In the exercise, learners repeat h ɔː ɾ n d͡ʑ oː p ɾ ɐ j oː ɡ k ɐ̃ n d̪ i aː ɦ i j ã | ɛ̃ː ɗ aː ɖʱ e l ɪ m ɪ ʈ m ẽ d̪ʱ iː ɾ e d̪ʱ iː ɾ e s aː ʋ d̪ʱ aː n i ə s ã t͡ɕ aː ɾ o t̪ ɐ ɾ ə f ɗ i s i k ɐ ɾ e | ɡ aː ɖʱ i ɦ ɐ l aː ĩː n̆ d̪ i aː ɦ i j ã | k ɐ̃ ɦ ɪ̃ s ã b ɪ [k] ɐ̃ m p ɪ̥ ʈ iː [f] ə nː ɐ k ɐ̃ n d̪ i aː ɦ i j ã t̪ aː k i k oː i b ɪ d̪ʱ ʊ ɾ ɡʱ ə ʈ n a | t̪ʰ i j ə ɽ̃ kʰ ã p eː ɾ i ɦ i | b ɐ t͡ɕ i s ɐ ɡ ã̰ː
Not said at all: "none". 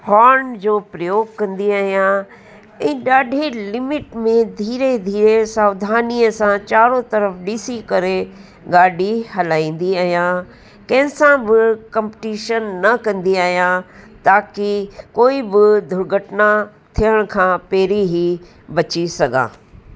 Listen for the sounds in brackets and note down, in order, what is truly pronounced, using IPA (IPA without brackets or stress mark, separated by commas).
k, ʃ